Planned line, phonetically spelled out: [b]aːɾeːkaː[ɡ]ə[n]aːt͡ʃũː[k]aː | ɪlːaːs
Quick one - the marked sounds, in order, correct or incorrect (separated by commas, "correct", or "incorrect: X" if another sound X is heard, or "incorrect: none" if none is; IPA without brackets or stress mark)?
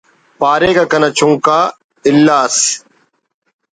incorrect: p, incorrect: k, correct, correct